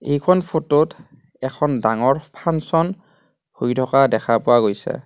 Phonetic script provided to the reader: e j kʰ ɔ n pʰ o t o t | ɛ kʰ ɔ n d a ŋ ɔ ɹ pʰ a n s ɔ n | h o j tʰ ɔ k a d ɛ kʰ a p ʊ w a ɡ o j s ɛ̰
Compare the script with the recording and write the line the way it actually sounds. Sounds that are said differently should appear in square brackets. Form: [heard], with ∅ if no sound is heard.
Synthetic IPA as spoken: e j kʰ ɔ n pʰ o t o t | ɛ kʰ ɔ n d a ŋ ɔ ɹ pʰ a n s ɔ n | h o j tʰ ɔ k a d ɛ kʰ a p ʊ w a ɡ o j s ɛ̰